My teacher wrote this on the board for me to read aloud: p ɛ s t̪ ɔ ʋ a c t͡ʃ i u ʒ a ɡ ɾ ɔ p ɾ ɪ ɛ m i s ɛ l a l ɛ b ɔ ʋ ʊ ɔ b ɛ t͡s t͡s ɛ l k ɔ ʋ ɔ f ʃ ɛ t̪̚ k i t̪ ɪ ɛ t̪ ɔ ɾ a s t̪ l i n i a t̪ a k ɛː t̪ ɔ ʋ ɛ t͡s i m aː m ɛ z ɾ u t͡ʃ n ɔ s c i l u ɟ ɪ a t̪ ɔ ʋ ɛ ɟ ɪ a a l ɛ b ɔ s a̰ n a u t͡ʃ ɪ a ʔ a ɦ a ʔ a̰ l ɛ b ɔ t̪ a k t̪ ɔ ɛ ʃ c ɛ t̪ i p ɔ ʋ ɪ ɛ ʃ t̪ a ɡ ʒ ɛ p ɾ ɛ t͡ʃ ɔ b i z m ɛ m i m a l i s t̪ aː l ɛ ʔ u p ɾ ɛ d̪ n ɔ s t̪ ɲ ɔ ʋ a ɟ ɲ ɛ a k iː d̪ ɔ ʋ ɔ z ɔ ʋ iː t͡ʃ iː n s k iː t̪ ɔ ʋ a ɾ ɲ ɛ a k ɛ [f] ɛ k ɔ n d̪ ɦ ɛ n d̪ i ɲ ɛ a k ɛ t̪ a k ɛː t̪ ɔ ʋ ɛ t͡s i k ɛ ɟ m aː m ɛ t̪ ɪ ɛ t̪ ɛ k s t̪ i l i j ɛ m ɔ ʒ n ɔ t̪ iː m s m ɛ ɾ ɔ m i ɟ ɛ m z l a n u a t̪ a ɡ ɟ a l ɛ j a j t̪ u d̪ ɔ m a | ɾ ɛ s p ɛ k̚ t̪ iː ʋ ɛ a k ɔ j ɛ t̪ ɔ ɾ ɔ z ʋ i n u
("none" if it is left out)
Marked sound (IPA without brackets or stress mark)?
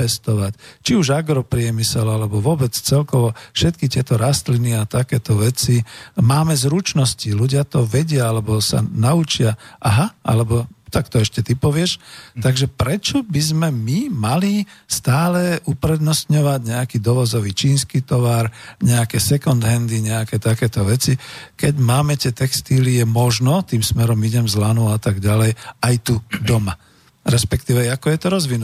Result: s